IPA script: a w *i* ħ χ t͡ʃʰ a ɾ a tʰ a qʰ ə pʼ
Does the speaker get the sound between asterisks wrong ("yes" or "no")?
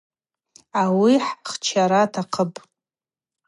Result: no